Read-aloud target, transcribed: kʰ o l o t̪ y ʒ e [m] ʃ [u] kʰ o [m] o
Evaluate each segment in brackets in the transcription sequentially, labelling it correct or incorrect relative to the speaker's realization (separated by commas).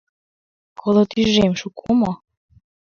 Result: correct, correct, correct